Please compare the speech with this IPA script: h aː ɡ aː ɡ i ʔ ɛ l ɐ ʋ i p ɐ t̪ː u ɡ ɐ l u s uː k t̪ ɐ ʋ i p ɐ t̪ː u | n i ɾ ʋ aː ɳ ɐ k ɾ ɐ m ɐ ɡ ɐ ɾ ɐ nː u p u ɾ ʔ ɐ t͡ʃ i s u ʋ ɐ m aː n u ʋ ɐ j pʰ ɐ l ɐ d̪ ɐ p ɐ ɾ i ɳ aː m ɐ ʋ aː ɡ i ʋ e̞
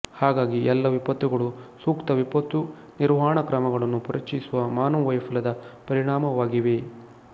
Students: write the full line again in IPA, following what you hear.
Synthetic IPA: h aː ɡ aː ɡ i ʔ ɛ lː ɐ ʋ i p ɐ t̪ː u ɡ ɐ ɭ u s uː k t̪ ɐ ʋ i p ɐ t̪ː u | n i ɾ ʋ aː ɳ ɐ k ɾ ɐ m ɐ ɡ ɐ ɭ ɐ nː u p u ɾ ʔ ɐ t͡ʃ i s u ʋ ɐ m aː n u ʋ ɐ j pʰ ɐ l ɐ d̪ ɐ p ɐ ɾ i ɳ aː m ɐ ʋ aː ɡ i ʋ e̞